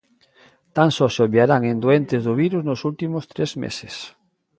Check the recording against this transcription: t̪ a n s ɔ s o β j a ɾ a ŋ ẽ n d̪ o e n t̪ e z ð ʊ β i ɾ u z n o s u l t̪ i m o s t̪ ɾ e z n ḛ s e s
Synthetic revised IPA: t̪ a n s ɔ s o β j a ɾ a ŋ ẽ n d̪ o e n t̪ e z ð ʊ β i ɾ u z n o s u l t̪ i m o s t̪ ɾ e z m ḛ s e s